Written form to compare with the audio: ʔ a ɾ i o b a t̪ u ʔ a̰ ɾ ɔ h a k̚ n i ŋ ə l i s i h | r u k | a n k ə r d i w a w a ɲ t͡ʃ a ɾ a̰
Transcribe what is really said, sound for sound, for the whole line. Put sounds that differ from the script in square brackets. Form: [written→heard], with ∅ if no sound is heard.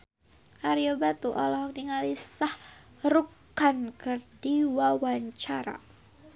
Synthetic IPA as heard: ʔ a ɾ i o b a t̪ u ʔ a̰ [ɾ→l] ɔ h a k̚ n i ŋ [ə→a] l i s [i→a] h | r u k | a n k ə r d i w a w a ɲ t͡ʃ a ɾ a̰